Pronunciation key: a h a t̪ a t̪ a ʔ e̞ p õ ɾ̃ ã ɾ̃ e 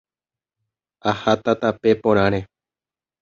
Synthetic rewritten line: a h a t̪ a t̪ a p e̞ p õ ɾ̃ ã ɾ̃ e